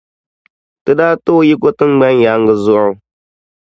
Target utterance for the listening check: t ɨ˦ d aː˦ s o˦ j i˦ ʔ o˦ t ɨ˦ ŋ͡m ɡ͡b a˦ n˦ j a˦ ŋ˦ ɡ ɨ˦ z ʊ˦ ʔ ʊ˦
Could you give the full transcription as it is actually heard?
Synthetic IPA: t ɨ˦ d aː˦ t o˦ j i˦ k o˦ t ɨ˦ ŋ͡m ɡ͡b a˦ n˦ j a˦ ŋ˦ ɡ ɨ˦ z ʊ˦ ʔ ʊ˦